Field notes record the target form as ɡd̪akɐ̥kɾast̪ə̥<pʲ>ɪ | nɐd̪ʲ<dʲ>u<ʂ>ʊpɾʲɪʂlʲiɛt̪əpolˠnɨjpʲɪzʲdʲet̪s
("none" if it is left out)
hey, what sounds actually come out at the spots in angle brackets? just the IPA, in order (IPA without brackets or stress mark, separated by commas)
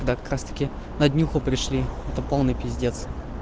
kʲ, nʲ, x